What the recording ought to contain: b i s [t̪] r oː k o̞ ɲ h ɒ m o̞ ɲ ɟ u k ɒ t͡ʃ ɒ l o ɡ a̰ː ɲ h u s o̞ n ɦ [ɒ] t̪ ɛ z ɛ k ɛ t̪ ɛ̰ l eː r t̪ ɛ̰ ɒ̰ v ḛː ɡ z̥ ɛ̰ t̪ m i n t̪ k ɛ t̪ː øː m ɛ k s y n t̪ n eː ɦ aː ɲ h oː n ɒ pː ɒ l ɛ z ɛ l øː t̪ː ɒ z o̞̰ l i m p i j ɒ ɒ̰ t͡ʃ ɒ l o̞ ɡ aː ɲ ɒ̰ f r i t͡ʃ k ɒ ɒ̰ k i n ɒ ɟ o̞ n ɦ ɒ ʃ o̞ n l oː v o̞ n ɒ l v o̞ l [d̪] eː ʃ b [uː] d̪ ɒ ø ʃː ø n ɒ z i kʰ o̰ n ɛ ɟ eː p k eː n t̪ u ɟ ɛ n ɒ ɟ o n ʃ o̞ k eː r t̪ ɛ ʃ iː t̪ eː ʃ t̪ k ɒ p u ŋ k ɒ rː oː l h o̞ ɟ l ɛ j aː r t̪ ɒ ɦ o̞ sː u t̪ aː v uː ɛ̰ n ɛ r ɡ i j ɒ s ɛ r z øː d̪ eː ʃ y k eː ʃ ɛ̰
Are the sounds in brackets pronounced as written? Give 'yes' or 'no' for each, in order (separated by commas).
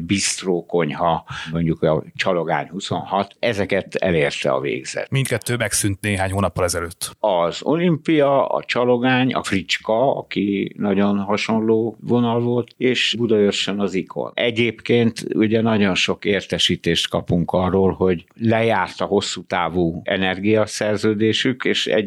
yes, yes, no, no